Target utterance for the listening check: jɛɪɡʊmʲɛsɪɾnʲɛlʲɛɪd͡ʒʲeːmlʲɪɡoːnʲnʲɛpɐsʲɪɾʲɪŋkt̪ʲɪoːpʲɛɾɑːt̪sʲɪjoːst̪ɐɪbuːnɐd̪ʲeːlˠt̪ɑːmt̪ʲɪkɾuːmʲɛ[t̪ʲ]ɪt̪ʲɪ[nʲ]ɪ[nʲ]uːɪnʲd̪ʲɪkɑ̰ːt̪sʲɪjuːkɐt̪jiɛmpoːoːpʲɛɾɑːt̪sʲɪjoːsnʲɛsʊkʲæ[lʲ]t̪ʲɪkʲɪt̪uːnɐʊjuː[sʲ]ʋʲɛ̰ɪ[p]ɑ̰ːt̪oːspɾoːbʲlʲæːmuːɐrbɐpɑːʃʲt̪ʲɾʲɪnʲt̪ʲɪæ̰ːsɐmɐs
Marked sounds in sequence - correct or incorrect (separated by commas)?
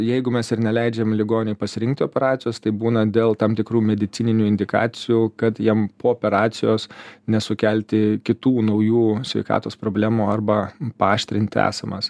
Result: incorrect, correct, correct, correct, correct, incorrect